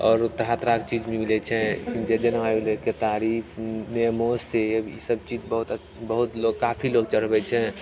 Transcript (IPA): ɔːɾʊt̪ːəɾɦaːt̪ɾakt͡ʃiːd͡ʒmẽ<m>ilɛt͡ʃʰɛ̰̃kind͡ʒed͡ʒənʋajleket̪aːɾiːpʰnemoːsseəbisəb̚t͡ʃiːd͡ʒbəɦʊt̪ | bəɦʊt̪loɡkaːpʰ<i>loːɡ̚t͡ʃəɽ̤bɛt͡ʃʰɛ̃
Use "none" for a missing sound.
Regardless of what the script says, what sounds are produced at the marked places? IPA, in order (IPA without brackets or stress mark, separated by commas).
m, i